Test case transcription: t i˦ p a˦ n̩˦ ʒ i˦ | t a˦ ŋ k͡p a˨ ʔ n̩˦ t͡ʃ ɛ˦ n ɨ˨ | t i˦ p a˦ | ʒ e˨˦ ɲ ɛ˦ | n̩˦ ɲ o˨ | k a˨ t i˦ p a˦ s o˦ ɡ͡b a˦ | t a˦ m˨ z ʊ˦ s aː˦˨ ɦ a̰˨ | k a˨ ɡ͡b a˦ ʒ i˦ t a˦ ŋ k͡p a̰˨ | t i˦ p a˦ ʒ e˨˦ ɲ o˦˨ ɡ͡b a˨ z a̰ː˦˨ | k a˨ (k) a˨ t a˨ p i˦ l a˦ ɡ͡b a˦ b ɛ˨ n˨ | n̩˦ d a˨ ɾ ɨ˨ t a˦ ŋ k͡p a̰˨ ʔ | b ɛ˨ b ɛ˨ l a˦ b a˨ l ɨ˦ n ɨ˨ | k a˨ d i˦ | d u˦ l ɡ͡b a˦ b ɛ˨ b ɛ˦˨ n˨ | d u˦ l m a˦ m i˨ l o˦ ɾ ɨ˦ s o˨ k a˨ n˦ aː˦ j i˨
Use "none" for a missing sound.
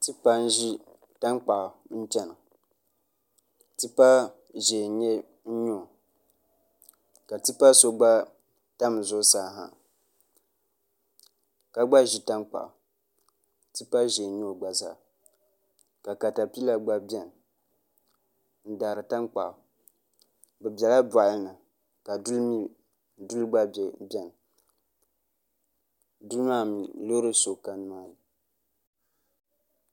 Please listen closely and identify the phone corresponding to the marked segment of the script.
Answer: k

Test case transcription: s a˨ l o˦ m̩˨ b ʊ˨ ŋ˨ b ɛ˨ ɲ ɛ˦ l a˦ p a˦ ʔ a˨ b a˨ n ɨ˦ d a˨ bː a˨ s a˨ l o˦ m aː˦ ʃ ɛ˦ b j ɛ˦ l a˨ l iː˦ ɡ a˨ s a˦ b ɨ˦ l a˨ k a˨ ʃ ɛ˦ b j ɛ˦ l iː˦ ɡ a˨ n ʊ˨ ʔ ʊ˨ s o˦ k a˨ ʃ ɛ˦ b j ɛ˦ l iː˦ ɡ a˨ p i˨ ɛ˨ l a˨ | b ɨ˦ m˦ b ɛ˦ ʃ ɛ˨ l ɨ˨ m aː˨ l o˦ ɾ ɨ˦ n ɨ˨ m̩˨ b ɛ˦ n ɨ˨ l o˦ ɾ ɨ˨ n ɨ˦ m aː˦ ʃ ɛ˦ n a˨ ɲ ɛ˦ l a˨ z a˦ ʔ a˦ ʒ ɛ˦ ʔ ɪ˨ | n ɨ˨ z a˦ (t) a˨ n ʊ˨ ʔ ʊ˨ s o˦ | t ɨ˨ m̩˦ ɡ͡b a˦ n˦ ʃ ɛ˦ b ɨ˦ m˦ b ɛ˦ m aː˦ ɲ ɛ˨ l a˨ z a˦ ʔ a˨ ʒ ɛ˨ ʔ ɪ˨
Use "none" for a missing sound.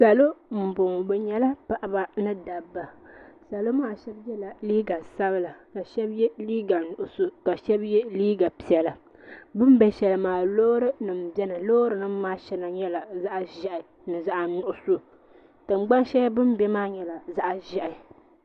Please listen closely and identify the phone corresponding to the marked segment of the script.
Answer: ʔ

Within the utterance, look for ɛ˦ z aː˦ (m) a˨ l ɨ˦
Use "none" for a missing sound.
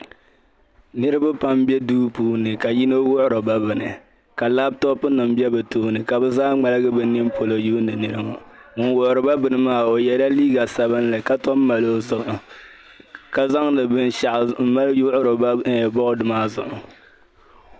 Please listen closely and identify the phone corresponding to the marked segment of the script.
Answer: ŋ͡m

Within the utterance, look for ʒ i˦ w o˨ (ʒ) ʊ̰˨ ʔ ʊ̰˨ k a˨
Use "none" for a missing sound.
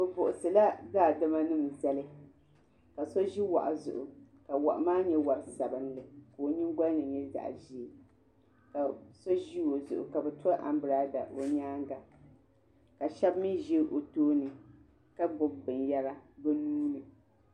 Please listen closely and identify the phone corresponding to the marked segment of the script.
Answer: z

